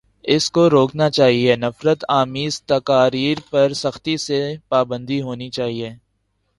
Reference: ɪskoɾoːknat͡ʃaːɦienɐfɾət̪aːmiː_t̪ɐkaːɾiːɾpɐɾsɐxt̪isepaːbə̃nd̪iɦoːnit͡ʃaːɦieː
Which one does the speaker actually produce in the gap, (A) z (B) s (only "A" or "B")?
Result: A